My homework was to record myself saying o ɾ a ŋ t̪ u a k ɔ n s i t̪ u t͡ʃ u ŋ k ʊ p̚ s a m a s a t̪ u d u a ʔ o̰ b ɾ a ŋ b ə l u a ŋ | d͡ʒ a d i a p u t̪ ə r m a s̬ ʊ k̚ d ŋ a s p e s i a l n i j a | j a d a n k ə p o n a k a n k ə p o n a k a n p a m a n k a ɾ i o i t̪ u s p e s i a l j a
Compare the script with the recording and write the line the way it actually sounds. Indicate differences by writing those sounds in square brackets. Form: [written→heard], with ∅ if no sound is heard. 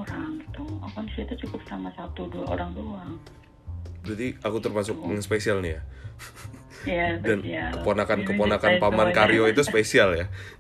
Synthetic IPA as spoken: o ɾ a ŋ t̪ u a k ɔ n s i t̪ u t͡ʃ u [ŋ→∅] k ʊ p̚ s a m a s a t̪ u d u a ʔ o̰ [b→∅] ɾ a ŋ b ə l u a ŋ | d͡ʒ a d i a [p→k] u t̪ ə r m a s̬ ʊ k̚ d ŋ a s p e s i a l n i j a | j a d a n k ə p o n a k a n k ə p o n a k a n p a m a n k a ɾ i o i t̪ u s p e s i a l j a